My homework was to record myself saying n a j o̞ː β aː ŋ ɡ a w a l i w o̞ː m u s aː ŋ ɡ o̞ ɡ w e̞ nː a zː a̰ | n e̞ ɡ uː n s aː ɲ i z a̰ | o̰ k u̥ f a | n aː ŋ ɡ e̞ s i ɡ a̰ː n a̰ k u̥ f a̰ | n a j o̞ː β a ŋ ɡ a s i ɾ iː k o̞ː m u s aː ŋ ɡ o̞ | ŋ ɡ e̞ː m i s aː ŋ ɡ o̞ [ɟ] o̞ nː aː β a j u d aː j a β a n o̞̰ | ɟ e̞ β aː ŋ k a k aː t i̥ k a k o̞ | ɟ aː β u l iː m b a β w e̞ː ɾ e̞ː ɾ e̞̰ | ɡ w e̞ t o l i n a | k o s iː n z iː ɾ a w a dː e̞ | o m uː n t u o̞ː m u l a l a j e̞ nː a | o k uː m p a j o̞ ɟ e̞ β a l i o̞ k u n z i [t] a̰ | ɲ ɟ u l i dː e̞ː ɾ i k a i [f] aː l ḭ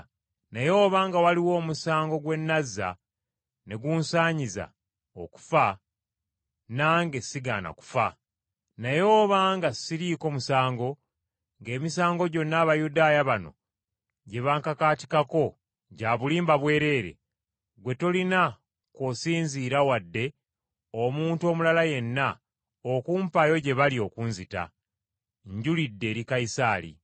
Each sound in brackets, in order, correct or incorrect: correct, correct, incorrect: s

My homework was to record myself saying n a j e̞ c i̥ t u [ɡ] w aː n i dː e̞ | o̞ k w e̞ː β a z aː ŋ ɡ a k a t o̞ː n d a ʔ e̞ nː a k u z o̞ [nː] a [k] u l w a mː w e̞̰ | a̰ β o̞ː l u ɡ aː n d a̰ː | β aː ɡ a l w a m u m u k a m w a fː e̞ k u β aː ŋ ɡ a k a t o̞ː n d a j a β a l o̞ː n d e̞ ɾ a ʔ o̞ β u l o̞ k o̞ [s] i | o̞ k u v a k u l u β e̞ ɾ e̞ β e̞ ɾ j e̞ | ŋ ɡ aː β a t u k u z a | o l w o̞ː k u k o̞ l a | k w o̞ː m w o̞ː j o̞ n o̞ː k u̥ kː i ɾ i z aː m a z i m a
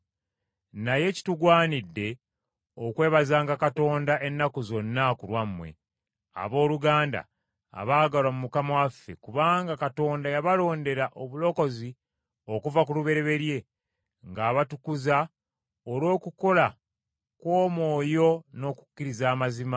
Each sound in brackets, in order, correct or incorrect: correct, correct, correct, incorrect: z

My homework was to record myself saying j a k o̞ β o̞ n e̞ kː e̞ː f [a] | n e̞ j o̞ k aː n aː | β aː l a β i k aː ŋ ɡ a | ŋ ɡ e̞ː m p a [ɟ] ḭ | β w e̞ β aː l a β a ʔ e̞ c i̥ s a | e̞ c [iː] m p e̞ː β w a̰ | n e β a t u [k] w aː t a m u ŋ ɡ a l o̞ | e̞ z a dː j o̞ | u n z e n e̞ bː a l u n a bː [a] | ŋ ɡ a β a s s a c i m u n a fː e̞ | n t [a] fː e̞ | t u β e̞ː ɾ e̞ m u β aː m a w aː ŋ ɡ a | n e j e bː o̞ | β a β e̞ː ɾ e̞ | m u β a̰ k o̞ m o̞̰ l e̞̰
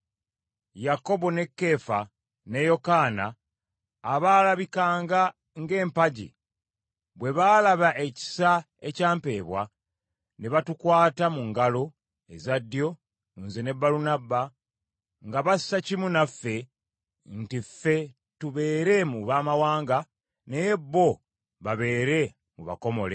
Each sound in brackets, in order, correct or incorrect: correct, correct, incorrect: aː, correct, correct, incorrect: i

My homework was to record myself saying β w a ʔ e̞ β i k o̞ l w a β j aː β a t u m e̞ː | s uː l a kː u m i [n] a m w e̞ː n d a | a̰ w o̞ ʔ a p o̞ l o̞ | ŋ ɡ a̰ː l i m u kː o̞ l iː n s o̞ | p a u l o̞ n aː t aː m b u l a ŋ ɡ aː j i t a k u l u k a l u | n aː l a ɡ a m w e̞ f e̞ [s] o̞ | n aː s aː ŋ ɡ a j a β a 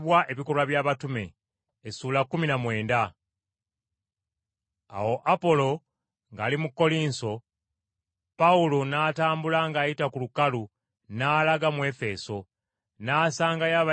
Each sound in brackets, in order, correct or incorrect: correct, correct

